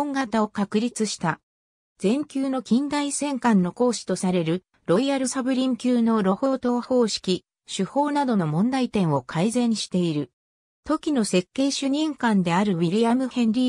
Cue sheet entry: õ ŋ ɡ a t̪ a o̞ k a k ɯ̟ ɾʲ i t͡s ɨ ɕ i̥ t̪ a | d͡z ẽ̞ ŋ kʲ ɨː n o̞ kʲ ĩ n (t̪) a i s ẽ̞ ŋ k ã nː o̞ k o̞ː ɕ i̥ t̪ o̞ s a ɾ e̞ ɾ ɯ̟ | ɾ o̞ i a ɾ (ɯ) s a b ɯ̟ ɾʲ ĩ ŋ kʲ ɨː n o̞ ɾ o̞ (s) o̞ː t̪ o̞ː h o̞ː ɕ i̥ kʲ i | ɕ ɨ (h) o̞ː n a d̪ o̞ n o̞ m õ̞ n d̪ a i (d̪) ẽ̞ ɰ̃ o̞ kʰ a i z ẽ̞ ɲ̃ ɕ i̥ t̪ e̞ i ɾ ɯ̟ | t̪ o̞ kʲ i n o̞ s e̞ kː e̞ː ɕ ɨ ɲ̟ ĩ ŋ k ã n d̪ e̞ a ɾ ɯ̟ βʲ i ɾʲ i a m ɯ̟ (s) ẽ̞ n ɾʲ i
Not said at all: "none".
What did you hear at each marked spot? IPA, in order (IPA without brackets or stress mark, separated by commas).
d̪, ɯ, h, h, t̪, h